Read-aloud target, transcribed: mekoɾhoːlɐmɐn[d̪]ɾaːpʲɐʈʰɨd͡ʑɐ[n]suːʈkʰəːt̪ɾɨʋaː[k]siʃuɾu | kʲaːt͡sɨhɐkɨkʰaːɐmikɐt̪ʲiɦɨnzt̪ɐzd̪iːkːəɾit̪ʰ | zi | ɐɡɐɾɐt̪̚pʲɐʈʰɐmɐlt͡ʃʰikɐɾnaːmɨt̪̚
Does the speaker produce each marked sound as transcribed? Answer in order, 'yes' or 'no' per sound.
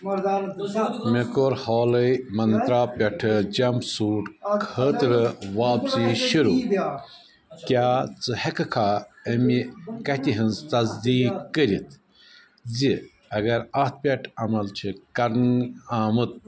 no, no, no

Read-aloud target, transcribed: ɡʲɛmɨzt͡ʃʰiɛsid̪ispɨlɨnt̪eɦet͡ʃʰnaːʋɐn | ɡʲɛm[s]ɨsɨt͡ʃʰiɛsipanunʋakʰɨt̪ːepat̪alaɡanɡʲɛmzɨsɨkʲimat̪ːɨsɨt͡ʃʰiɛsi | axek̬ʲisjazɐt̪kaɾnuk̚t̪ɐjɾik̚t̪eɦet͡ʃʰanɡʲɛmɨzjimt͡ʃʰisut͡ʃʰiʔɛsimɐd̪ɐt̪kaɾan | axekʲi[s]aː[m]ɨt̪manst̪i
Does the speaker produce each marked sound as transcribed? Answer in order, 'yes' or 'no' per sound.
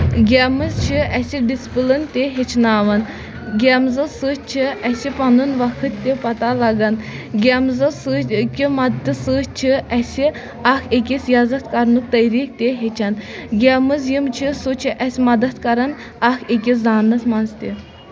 no, no, no

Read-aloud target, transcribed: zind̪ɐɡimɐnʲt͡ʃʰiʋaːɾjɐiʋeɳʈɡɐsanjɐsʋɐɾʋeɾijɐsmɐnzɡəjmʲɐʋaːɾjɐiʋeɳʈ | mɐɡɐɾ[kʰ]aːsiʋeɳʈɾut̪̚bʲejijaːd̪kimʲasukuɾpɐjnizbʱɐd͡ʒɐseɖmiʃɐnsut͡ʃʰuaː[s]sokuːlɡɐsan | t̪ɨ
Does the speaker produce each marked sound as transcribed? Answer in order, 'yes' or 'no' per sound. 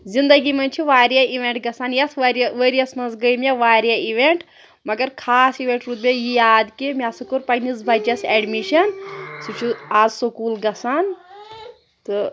yes, no

